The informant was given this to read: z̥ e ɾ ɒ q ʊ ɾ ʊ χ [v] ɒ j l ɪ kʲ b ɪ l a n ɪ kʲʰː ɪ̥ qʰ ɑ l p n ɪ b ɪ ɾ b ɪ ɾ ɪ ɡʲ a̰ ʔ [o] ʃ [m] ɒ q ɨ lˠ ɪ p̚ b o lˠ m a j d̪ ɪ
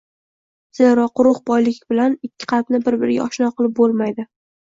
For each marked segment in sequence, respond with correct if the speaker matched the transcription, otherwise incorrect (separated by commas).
incorrect, incorrect, incorrect